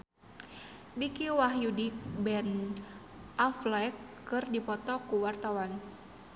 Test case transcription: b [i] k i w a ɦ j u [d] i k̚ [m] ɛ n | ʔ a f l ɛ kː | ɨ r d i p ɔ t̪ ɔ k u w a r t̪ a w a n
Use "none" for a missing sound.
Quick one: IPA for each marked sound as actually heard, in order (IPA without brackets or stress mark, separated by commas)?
i, d, b